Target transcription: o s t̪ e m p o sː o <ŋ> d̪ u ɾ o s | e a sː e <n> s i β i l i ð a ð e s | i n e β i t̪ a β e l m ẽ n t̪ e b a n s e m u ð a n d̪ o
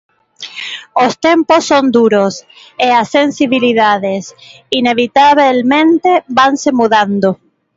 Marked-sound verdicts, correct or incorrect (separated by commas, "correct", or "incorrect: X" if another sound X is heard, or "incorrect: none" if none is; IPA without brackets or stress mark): incorrect: n, correct